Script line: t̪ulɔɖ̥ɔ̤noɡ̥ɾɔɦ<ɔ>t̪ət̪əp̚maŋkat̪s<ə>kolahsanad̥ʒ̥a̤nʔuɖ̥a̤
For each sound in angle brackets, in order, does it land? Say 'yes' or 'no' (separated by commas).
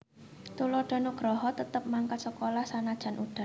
yes, yes